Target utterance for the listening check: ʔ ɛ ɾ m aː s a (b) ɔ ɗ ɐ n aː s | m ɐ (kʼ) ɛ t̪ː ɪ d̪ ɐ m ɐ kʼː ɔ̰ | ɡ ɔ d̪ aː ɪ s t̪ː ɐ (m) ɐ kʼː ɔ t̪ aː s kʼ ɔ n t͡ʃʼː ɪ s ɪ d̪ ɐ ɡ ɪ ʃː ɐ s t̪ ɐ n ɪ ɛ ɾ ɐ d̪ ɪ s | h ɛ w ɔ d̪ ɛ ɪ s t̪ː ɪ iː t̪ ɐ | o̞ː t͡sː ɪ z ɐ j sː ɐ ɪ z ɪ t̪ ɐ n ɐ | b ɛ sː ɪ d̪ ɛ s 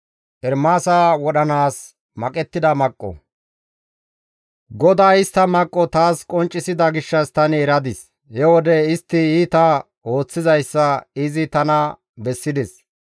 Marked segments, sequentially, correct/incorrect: incorrect: w, correct, correct

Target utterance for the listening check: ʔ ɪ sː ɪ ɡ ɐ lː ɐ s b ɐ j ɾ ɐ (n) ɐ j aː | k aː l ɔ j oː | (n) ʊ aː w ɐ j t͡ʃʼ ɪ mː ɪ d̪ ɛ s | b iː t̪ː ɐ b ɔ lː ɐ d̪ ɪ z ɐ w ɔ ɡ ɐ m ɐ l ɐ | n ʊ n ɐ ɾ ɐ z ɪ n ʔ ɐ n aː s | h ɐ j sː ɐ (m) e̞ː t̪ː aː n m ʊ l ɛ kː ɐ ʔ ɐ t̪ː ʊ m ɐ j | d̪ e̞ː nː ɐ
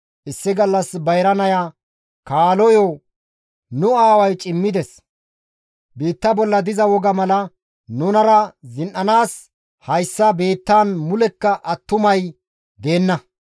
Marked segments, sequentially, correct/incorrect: correct, correct, incorrect: b

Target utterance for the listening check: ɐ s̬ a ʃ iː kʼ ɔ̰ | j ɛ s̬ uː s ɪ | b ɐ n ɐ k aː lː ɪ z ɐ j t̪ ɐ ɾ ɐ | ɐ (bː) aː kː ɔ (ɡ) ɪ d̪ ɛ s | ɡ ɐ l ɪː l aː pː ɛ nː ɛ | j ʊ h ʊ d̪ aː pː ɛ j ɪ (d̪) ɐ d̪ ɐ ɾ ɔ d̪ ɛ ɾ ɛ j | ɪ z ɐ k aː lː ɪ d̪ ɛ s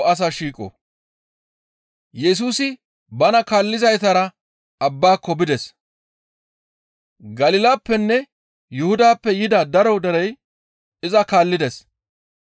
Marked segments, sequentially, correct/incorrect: correct, incorrect: b, correct

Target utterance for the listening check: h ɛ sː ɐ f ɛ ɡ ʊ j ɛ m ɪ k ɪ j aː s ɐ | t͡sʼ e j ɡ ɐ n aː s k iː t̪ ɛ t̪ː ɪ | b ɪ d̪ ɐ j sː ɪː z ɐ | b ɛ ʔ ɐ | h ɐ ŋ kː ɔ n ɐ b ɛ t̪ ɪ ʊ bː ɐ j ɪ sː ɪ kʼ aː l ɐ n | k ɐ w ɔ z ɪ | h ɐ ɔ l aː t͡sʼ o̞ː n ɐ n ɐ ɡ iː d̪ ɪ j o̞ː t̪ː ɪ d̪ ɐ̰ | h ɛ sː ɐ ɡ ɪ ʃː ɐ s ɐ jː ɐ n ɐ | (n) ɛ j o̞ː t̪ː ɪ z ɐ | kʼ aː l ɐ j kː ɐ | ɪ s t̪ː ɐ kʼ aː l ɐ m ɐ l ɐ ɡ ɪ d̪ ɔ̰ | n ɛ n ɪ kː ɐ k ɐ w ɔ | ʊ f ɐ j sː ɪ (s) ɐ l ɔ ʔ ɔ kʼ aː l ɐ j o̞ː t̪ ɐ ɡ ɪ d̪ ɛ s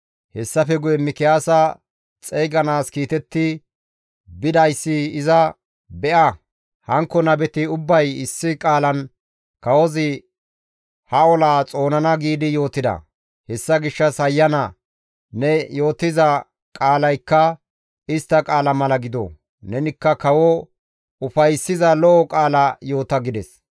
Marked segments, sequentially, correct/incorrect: correct, incorrect: z

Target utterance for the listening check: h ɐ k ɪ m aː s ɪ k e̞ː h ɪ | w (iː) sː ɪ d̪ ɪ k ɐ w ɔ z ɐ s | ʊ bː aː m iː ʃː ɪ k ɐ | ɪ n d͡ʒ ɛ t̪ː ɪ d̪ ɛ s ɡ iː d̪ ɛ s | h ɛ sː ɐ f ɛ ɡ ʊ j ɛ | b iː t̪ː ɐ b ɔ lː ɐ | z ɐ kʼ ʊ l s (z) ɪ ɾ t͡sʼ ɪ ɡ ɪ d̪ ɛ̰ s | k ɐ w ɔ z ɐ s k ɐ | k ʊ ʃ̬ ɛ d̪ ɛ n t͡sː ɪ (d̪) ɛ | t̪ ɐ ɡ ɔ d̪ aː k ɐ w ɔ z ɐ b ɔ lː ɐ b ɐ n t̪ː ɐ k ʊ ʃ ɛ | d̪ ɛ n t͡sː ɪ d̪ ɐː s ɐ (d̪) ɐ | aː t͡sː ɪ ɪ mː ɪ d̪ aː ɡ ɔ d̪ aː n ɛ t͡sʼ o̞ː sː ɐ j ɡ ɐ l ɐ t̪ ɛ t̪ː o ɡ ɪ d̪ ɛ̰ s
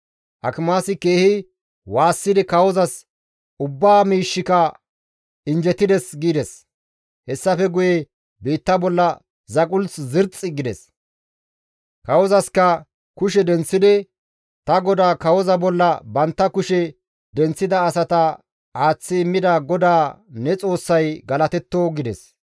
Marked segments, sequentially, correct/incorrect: incorrect: aː, correct, correct, incorrect: t̪

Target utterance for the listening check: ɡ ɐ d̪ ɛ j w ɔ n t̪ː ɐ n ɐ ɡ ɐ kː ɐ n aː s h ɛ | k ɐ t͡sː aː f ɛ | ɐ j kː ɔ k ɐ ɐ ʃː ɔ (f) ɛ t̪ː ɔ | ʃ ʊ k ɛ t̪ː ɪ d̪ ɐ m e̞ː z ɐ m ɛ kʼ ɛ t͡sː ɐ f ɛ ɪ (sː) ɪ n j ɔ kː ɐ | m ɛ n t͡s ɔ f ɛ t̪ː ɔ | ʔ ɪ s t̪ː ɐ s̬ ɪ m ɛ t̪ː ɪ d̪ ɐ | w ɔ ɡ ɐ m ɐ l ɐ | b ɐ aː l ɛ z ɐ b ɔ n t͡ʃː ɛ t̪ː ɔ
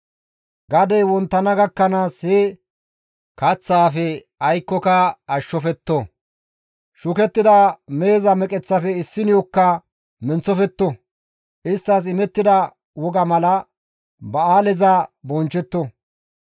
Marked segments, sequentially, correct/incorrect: correct, correct

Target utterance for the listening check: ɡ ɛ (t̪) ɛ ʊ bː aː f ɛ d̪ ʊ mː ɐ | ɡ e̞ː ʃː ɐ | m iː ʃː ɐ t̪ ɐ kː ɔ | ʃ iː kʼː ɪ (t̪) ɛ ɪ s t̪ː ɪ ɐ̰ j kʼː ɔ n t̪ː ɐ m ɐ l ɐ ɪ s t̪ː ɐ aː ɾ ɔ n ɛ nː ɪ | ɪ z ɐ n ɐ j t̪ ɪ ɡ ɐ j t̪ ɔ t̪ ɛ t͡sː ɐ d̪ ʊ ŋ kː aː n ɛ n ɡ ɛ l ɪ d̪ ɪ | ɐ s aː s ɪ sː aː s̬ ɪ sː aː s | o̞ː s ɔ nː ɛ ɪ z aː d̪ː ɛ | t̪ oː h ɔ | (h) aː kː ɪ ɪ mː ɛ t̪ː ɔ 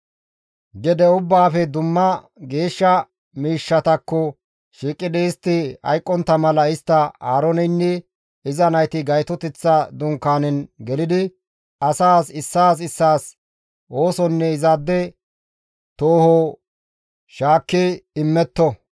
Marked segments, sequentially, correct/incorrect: incorrect: d̪, incorrect: d̪, incorrect: ʃ

